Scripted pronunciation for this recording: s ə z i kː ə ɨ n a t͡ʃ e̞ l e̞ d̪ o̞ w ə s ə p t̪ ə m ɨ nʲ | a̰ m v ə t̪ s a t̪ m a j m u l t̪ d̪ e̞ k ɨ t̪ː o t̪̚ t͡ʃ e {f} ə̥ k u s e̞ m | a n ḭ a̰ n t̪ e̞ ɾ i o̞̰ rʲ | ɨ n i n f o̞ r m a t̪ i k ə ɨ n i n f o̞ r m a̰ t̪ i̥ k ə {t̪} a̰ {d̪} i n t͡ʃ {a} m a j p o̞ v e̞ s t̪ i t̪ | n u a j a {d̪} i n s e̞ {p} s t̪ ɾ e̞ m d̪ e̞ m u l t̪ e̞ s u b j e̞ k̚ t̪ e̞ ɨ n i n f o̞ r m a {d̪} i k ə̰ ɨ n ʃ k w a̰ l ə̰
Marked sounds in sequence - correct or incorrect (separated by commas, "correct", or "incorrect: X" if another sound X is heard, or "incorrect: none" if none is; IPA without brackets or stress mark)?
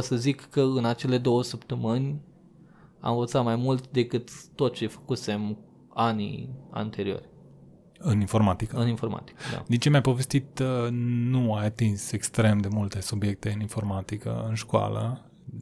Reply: correct, incorrect: d̪, correct, incorrect: e, incorrect: t̪, incorrect: k, incorrect: t̪